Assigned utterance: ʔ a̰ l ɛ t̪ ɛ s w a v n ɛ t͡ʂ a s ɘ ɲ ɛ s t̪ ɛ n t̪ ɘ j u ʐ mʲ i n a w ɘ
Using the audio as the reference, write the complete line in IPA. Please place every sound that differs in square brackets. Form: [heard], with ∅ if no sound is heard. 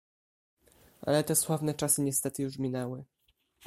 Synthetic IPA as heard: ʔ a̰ l ɛ t̪ ɛ s w a v n ɛ t͡ʂ a s ɘ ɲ ɛ s t̪ ɛ [∅] t̪ ɘ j u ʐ mʲ i n [ɛ] w ɘ